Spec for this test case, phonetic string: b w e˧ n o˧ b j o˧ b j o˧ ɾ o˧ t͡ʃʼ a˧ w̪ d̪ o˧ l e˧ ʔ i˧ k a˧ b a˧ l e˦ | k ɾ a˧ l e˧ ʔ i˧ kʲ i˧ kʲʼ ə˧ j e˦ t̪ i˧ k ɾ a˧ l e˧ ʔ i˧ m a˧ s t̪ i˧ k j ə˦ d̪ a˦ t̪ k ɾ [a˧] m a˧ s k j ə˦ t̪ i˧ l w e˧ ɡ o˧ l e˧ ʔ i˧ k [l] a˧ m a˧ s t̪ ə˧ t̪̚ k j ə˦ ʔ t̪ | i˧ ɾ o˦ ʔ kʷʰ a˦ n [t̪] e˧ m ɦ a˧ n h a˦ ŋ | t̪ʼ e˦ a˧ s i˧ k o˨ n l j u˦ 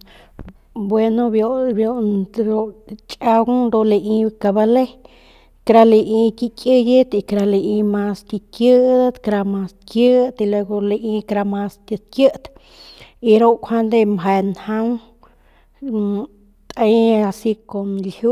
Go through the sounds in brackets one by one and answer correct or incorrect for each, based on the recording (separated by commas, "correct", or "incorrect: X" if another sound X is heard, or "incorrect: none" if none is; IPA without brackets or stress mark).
correct, incorrect: ɾ, incorrect: d̪